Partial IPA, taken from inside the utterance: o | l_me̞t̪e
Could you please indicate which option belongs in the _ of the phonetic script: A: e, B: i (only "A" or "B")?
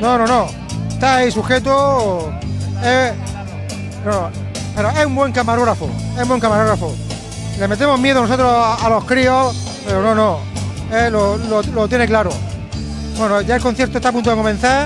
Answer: A